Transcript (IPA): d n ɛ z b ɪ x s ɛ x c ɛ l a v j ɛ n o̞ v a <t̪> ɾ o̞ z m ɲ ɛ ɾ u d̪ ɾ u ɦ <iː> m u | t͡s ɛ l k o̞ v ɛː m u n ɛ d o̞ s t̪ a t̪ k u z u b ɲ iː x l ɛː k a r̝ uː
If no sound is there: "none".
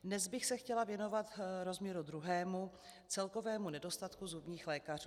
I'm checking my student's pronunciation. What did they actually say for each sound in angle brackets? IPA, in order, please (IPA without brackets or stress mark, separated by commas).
t̪, ɛː